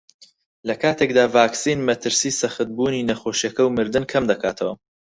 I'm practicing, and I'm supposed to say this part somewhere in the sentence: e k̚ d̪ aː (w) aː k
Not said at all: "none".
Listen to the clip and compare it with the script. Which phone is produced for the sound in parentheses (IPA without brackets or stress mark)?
v